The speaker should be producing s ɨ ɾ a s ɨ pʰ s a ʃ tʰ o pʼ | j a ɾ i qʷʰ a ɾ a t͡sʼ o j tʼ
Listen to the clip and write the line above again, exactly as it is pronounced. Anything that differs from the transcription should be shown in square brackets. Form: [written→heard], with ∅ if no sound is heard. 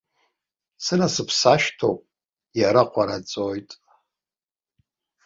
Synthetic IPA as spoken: s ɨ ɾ a s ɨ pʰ s a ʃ tʰ o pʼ | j a ɾ [i→a] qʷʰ a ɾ a t͡sʼ o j tʼ